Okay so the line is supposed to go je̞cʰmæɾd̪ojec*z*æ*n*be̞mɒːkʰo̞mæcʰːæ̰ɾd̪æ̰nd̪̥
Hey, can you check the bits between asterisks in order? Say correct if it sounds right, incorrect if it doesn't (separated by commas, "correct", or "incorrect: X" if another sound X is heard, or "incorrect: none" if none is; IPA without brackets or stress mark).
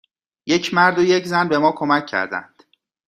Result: correct, correct